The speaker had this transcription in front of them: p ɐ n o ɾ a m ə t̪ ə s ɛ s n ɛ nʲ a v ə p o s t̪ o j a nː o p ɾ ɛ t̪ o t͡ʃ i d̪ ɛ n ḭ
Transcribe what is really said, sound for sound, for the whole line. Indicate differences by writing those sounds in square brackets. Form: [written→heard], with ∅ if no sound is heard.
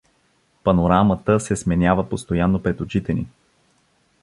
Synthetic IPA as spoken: p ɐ n o ɾ a m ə t̪ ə s ɛ s [n→m] ɛ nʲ a v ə p o s t̪ o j a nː o p ɾ ɛ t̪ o t͡ʃ i [d̪→t̪] ɛ n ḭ